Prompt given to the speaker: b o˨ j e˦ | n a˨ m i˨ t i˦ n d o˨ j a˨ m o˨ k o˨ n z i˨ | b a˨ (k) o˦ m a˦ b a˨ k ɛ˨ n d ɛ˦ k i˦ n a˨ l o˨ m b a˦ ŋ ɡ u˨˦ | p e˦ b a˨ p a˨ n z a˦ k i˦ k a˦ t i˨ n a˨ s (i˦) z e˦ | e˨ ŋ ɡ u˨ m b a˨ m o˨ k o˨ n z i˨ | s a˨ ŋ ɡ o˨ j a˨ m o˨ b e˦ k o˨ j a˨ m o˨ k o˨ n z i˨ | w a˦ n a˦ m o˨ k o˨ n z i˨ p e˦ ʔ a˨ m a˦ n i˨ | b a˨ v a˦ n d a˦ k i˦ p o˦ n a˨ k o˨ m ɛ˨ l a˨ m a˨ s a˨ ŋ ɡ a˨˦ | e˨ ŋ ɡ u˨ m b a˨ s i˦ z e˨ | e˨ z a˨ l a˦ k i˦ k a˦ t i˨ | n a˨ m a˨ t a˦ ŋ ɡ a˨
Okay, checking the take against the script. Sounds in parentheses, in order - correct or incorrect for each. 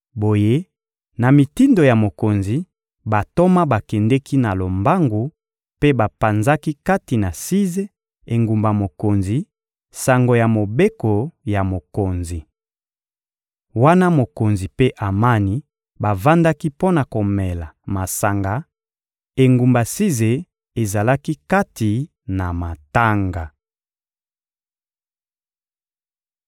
incorrect: t, correct

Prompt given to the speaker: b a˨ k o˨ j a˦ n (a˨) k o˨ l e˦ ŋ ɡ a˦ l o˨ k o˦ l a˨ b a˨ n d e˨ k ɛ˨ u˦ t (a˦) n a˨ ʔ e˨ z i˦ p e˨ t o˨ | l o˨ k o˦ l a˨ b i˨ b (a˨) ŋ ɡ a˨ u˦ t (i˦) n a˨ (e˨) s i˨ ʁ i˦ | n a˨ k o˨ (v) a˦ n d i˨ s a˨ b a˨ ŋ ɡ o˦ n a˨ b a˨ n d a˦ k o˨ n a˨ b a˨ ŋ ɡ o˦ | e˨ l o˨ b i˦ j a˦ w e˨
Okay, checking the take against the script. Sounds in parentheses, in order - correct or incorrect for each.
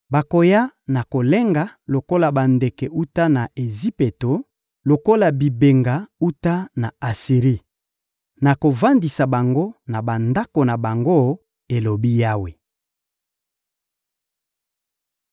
correct, correct, incorrect: e˨, incorrect: a˦, incorrect: a˨, correct

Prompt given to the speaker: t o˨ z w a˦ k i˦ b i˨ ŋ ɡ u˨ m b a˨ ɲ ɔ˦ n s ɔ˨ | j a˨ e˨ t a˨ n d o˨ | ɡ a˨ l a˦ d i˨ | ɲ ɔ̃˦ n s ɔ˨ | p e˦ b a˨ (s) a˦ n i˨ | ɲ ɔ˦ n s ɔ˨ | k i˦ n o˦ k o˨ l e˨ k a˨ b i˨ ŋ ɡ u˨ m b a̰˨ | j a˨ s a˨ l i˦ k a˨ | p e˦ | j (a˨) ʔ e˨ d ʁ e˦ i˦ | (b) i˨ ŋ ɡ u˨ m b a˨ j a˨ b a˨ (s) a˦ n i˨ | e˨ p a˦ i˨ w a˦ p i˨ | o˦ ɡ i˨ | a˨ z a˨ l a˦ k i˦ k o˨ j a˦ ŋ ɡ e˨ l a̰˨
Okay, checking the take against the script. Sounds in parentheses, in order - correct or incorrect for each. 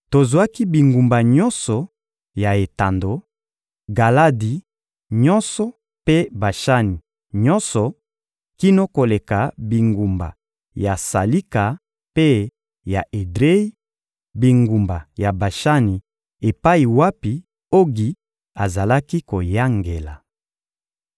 incorrect: ʃ, correct, correct, incorrect: ʃ

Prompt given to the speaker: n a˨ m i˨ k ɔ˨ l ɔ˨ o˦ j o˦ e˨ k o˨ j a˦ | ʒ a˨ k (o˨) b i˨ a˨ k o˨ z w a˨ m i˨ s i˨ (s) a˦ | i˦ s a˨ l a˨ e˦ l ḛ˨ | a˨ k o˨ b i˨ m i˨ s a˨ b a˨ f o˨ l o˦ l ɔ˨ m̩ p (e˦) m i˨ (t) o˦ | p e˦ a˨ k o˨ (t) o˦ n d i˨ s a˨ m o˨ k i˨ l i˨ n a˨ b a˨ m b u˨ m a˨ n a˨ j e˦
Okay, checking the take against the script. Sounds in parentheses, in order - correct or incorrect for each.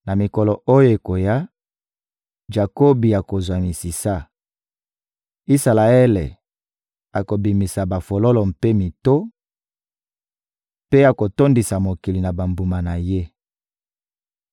incorrect: o˦, correct, correct, correct, correct

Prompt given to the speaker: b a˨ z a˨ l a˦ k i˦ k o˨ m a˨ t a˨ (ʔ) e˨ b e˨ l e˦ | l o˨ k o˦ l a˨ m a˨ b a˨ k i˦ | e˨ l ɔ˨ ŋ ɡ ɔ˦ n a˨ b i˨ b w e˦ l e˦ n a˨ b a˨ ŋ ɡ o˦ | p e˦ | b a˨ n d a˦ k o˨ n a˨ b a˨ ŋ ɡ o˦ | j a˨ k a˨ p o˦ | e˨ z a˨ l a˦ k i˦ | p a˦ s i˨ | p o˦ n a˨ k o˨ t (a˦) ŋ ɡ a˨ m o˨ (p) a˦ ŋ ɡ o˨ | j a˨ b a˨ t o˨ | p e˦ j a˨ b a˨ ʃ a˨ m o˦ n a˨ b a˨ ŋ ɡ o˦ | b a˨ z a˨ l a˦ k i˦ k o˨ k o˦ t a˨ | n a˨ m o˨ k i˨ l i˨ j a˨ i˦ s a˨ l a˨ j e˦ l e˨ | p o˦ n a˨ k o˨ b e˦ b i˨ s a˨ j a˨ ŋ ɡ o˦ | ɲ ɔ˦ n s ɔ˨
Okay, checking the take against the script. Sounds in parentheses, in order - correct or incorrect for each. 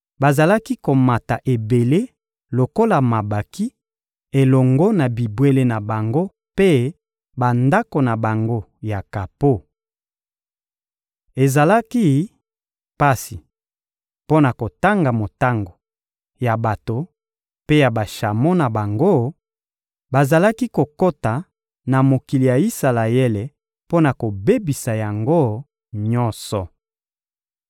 correct, correct, incorrect: t

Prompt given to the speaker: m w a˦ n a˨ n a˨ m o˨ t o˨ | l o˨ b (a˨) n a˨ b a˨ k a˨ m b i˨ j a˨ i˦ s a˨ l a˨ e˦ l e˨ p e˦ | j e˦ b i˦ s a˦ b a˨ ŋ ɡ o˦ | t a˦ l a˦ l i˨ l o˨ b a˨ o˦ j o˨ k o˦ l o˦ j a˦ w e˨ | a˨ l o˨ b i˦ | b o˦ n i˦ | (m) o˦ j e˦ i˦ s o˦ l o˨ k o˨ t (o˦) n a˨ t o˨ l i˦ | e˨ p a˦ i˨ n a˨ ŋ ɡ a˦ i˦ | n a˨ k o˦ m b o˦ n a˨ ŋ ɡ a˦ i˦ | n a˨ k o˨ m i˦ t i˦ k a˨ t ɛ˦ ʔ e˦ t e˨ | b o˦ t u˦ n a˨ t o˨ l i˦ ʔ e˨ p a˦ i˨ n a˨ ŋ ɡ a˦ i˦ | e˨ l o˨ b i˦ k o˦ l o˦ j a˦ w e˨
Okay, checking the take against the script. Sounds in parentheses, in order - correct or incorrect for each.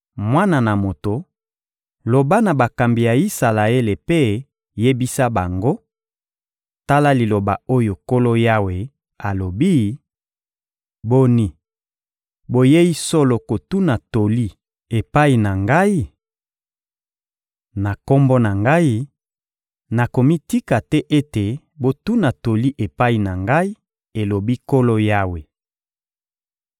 incorrect: a˦, incorrect: b, incorrect: u˦

